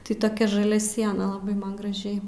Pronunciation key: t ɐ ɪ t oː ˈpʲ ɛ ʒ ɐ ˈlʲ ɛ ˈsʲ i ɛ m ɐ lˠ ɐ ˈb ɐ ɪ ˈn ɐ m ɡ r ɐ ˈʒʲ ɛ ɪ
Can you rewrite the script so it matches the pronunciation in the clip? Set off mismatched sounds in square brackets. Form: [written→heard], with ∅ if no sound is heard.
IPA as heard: t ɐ ɪ t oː [ˈpʲ→ˈkʲ] ɛ ʒ ɐ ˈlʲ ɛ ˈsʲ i ɛ [m→n] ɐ lˠ ɐ ˈb ɐ ɪ [ˈn→ˈm] ɐ [m→n] ɡ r ɐ ˈʒʲ ɛ ɪ